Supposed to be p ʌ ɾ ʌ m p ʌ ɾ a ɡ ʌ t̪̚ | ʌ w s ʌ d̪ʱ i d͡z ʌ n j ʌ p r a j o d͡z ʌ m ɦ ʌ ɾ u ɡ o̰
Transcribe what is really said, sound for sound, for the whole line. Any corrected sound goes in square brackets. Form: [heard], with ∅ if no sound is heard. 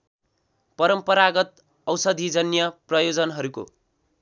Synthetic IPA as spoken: p ʌ ɾ ʌ m p ʌ ɾ a ɡ ʌ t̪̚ | ʌ w s ʌ d̪ʱ i d͡z ʌ n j ʌ p r [ʌ] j o d͡z ʌ [n] ɦ ʌ ɾ u [k] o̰